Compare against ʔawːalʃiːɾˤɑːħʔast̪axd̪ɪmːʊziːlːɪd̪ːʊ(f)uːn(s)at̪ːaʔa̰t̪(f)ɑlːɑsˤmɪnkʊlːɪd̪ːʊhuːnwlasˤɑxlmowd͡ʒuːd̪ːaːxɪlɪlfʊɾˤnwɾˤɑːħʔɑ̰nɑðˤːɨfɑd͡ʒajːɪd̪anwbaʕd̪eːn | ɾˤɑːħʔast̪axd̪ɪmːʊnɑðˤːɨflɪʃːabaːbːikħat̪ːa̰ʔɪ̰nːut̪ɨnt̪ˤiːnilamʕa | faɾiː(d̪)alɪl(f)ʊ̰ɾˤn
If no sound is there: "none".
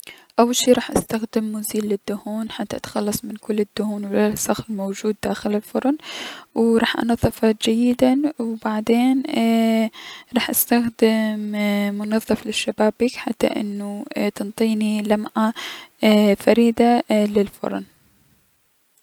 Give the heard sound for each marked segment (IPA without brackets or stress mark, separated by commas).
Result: h, ħ, x, d̪, f